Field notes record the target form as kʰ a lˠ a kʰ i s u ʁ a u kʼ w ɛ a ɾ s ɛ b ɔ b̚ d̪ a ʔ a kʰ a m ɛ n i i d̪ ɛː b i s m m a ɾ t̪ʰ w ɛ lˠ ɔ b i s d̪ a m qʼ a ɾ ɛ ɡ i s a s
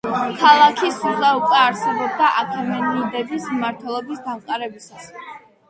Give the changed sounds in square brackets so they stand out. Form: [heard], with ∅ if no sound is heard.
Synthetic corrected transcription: kʰ a lˠ a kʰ i s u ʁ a u kʼ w ɛ a ɾ s ɛ b ɔ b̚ d̪ a ʔ a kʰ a m ɛ n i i d̪ [ɛ] b i s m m a ɾ t̪ʰ w ɛ lˠ ɔ b i s d̪ a m qʼ a ɾ ɛ [b] i s a s

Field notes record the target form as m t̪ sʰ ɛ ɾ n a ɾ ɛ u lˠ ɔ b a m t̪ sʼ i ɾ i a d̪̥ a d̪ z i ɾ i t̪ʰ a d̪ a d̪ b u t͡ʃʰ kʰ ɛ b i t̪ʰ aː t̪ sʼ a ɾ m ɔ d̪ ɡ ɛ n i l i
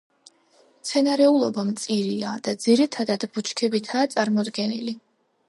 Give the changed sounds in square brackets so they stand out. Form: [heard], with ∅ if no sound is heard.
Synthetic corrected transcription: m t̪ sʰ ɛ [∅] n a ɾ ɛ u lˠ ɔ b a m t̪ sʼ i ɾ i a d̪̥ a d̪ z i ɾ i t̪ʰ a d̪ a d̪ b u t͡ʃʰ kʰ ɛ b i t̪ʰ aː t̪ sʼ a ɾ m ɔ d̪ ɡ ɛ n i l i

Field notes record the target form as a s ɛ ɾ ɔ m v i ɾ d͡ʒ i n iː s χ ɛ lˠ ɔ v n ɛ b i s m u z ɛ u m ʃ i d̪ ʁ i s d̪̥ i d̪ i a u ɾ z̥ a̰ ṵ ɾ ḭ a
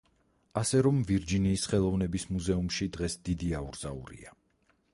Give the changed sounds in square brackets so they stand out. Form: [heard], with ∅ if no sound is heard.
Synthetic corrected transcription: a s ɛ ɾ ɔ m v i ɾ d͡ʒ i n iː s χ ɛ lˠ ɔ v n ɛ b i s m u z ɛ u m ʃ i d̪ ʁ [ɛ] s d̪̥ i d̪ i a u ɾ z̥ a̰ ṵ ɾ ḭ a

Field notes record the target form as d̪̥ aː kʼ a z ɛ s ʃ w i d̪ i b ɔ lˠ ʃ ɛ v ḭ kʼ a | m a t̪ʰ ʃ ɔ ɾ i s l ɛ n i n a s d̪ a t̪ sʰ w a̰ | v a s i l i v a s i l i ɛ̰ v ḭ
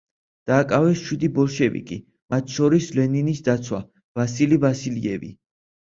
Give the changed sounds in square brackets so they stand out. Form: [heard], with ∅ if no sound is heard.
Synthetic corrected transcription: d̪̥ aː kʼ a [v] ɛ s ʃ w i d̪ i b ɔ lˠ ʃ ɛ v ḭ kʼ [i] | m a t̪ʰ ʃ ɔ ɾ i s l ɛ n i n [i] s d̪ a t̪ sʰ w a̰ | v a s i l i v a s i l i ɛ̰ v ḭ

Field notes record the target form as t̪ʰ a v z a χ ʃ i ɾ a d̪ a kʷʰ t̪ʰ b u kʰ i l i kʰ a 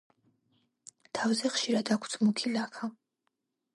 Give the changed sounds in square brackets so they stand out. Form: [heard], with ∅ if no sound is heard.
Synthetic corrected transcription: t̪ʰ a v z [ɛ] χ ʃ i ɾ a d̪ a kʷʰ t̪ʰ [m] u kʰ i l [a] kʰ a

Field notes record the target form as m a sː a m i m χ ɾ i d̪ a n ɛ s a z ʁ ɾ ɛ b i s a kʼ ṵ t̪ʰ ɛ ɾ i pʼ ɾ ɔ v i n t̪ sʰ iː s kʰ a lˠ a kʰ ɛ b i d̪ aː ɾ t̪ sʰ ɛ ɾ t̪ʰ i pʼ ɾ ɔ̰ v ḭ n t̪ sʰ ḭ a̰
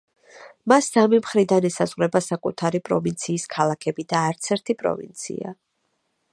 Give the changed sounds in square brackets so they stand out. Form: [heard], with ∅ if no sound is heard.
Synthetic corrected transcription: m a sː a m i m χ ɾ i d̪ a n ɛ s a z ʁ ɾ ɛ b [a] s a kʼ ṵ t̪ʰ [a] ɾ i pʼ ɾ ɔ v i n t̪ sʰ iː s kʰ a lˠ a kʰ ɛ b i d̪ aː ɾ t̪ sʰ ɛ ɾ t̪ʰ i pʼ ɾ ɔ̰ v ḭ n t̪ sʰ ḭ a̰

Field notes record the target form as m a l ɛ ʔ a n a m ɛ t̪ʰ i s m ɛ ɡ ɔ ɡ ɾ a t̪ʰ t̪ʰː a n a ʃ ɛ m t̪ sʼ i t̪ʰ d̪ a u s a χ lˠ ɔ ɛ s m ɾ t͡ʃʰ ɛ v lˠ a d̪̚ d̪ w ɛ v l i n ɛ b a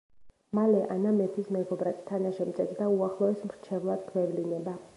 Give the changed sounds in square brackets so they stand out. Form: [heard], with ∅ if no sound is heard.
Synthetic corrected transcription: m a l ɛ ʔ a n a m ɛ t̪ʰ i s m ɛ ɡ ɔ [b] ɾ a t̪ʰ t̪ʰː a n a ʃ ɛ m t̪ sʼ [ɛ] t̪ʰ d̪ a u [∅] a χ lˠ ɔ ɛ s m ɾ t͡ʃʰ ɛ v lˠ a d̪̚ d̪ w ɛ v l i n ɛ b a

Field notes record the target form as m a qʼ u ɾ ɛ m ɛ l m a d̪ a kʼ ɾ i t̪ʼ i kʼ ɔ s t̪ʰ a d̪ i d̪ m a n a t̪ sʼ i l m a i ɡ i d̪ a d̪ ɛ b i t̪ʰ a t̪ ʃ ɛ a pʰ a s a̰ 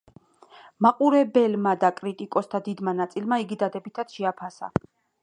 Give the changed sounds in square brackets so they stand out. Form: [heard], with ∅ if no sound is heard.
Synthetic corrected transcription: m a qʼ u ɾ ɛ [b] ɛ l m a d̪ a kʼ ɾ i t̪ʼ i kʼ ɔ s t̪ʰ a d̪ i d̪ m a n a t̪ sʼ i l m a i ɡ i d̪ a d̪ ɛ b i t̪ʰ a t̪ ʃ ɛ a pʰ a s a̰

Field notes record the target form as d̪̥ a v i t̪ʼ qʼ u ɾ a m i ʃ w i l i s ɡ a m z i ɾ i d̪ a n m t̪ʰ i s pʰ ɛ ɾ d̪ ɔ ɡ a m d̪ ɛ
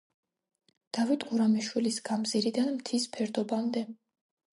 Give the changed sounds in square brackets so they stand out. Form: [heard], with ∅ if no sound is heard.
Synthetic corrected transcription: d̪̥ a v i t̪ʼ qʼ u ɾ a m i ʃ w i l i s ɡ a m z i ɾ i d̪ a n m t̪ʰ i s pʰ ɛ ɾ d̪ ɔ [b] a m d̪ ɛ

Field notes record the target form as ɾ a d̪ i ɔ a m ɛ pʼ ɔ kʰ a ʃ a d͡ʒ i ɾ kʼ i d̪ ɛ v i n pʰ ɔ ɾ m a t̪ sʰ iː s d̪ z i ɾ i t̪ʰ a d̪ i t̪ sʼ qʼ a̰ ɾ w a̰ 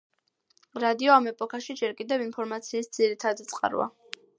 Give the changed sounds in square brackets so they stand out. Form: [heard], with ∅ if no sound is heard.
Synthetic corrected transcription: ɾ a d̪ i ɔ a m ɛ pʼ ɔ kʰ a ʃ [i] d͡ʒ [ɛ] ɾ kʼ i d̪ ɛ v i n pʰ ɔ ɾ m a t̪ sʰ iː s d̪ z i ɾ i t̪ʰ a d̪ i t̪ sʼ qʼ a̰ ɾ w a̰

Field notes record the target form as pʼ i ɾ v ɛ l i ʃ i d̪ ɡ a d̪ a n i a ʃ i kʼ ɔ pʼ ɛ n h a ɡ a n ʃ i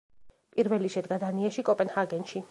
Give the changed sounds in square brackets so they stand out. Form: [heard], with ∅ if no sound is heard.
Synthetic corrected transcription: pʼ i ɾ v ɛ l i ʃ [ɛ] d̪ ɡ a d̪ a n i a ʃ i kʼ ɔ pʼ ɛ n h a ɡ [ɛ] n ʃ i

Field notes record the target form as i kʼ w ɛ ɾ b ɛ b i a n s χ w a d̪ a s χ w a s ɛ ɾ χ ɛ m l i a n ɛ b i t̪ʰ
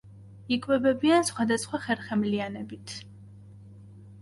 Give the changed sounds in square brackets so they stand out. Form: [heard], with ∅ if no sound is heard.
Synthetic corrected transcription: i kʼ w ɛ [∅] b ɛ b i a n s χ w a d̪ a s χ w a [χ] ɛ ɾ χ ɛ m l i a n ɛ b i t̪ʰ

